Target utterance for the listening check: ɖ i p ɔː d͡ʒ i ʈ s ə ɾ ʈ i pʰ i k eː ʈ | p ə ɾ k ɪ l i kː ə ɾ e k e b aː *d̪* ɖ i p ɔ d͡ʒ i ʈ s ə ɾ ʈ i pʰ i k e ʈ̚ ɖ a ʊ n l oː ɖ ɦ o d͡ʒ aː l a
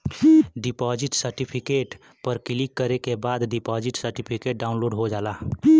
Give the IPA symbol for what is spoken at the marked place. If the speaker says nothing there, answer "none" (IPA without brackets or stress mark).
d̪